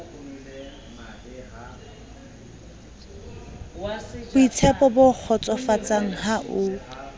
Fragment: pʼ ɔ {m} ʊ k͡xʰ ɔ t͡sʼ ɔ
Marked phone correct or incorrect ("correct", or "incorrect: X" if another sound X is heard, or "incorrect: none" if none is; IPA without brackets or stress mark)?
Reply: incorrect: b